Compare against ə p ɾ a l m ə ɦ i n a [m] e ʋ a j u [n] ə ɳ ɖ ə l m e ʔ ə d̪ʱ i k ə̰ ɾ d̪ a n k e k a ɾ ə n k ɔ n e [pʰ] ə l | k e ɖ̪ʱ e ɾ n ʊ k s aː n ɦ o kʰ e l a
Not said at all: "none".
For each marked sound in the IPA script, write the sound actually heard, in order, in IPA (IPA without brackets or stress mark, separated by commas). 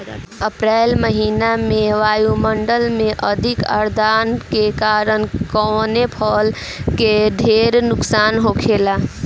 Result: m, m, pʰ